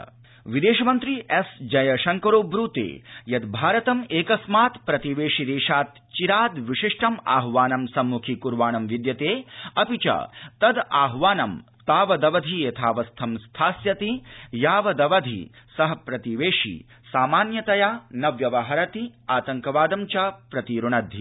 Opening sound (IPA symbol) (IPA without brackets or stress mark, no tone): ʋ